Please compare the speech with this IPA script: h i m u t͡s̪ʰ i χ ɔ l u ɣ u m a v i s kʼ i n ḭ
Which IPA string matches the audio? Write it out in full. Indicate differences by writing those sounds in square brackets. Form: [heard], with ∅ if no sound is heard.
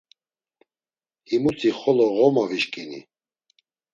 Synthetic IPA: h i m u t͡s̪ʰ i χ ɔ l [ɔ] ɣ [ɔ] m a v i [ʃ] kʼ i n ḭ